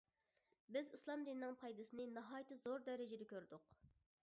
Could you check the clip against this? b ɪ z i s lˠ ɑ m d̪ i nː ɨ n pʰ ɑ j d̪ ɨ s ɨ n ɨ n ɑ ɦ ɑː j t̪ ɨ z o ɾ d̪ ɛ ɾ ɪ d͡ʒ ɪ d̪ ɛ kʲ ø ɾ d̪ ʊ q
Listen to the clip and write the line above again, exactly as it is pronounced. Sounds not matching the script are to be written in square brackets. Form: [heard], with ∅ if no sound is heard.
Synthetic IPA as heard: b ɪ z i s lˠ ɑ m d̪ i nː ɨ [ŋ] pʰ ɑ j d̪ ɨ s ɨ n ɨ n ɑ ɦ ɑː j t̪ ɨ z o ɾ d̪ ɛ ɾ ɪ d͡ʒ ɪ d̪ ɛ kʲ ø ɾ d̪ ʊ q

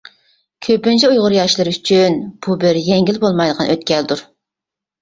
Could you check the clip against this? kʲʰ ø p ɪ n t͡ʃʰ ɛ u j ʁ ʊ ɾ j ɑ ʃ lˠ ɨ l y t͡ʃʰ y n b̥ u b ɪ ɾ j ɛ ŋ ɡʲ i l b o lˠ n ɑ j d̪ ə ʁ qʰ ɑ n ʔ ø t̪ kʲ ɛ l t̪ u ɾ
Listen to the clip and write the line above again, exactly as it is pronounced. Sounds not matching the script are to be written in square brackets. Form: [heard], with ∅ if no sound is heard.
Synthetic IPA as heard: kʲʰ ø p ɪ n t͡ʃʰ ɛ u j ʁ ʊ ɾ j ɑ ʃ lˠ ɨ [ɾ] y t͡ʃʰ y n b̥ u b ɪ ɾ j ɛ ŋ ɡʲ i l b o lˠ [m] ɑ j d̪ ə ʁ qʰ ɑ n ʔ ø t̪ kʲ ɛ l [d̪] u ɾ

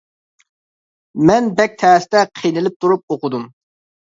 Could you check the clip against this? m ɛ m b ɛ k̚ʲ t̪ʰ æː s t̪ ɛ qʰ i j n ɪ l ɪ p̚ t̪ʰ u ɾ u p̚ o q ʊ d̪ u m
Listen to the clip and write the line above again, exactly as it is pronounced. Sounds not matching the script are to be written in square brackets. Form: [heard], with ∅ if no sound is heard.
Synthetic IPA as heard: m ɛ [n] b ɛ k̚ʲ t̪ʰ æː s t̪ ɛ qʰ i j n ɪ l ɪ p̚ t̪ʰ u ɾ u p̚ o q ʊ d̪ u m

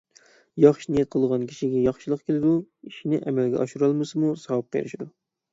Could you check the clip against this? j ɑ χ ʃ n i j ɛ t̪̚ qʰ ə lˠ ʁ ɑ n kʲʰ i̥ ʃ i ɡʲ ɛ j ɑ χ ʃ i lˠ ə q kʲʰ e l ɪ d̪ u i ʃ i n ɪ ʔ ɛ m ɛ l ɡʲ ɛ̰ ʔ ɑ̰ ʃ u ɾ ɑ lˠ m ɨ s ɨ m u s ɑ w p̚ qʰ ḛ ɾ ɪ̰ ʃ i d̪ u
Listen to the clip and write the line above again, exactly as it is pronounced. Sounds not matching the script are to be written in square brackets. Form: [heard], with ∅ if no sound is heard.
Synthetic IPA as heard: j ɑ χ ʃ n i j ɛ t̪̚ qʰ ə lˠ ʁ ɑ n kʲʰ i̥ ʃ i ɡʲ ɛ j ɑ χ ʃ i lˠ ə q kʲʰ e l ɪ d̪ u i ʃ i n ɪ ʔ ɛ m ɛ l ɡʲ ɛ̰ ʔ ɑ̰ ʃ u ɾ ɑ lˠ m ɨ s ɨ m u s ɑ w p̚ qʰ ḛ ɾ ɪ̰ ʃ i d̪ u

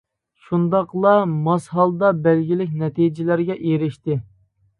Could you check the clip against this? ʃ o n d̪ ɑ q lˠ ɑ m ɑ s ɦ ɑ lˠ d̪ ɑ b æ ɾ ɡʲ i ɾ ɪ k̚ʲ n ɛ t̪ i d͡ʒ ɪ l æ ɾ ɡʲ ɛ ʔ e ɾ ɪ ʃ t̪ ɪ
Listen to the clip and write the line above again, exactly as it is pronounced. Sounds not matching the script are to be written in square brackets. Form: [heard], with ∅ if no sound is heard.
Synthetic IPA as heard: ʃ [u] n d̪ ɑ q lˠ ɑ m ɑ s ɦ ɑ lˠ d̪ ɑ b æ [l] ɡʲ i [l] ɪ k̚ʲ n ɛ t̪ i d͡ʒ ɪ l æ ɾ ɡʲ ɛ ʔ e ɾ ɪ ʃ t̪ ɪ

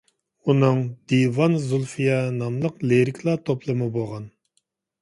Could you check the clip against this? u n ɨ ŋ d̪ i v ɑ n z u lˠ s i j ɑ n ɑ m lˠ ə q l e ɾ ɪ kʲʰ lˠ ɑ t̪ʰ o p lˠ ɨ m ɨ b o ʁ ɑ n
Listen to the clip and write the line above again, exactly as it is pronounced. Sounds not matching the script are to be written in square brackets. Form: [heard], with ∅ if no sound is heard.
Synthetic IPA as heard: u n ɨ ŋ d̪ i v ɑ n z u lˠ [f] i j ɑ n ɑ m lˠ ə q l e ɾ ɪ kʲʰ lˠ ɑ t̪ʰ o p lˠ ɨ m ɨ b o ʁ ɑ n

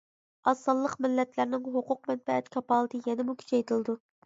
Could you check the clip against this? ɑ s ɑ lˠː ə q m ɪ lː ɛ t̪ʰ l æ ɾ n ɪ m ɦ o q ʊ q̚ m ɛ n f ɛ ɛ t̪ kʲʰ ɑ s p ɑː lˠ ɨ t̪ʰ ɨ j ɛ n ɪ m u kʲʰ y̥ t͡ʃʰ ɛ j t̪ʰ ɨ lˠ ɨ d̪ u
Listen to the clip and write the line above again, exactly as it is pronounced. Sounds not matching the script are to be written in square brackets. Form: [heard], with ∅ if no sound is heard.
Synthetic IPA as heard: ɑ s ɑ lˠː ə q m ɪ lː ɛ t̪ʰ l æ ɾ n ɪ [ŋ] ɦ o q ʊ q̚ m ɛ n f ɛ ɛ t̪ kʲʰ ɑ [∅] p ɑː lˠ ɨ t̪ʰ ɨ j ɛ n ɪ m u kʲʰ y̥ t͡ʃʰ ɛ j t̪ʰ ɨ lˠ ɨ d̪ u

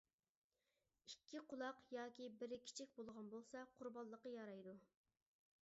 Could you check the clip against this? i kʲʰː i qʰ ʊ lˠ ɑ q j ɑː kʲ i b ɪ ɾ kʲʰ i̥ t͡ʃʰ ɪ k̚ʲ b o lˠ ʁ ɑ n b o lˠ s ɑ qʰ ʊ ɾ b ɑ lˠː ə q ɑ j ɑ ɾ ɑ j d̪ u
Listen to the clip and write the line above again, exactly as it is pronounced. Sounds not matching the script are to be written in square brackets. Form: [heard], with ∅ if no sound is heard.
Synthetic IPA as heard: i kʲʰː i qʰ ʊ lˠ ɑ q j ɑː kʲ i b ɪ ɾ kʲʰ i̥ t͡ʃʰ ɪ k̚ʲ b o lˠ ʁ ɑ n b o lˠ s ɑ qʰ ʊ ɾ b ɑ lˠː ə q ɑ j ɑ ɾ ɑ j d̪ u

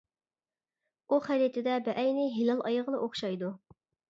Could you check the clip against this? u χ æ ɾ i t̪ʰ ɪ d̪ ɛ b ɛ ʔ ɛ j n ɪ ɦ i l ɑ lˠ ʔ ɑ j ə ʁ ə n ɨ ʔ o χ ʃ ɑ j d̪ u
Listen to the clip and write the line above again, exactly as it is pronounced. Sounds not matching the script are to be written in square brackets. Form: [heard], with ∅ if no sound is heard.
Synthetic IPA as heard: u χ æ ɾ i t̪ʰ ɪ d̪ ɛ b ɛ ʔ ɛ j n ɪ ɦ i l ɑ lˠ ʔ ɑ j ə ʁ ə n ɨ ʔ o χ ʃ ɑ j d̪ u

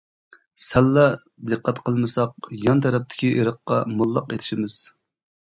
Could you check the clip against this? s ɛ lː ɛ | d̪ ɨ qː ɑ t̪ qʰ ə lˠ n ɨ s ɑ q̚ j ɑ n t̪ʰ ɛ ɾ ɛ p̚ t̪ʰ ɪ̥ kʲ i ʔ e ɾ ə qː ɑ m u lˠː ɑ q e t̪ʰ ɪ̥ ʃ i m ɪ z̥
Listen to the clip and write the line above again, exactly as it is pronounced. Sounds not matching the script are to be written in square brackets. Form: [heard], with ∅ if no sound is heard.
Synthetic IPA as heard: s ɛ lː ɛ | d̪ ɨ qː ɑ t̪ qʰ ə lˠ [m] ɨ s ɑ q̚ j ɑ n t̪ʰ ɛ ɾ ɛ p̚ t̪ʰ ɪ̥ kʲ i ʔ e ɾ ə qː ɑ m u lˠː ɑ q e t̪ʰ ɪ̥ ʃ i m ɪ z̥

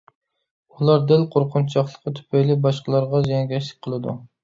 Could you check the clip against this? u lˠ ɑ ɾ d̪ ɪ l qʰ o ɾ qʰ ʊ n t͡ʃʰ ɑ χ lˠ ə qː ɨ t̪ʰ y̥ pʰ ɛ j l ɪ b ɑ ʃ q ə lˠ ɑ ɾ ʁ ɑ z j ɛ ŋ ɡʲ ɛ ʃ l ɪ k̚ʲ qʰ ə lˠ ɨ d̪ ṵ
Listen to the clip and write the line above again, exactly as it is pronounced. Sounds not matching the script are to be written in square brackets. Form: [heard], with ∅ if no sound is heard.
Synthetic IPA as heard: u lˠ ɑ ɾ d̪ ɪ l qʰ o ɾ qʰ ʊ n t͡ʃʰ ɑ χ lˠ ə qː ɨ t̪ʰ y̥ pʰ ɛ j l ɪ b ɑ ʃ q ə lˠ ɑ ɾ ʁ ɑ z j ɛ ŋ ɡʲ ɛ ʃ l ɪ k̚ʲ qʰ ə lˠ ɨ d̪ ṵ

